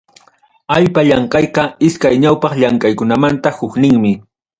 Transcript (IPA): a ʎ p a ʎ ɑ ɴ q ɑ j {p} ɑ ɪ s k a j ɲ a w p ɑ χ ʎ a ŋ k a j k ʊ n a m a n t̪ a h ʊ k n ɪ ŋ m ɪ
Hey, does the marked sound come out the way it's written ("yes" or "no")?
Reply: no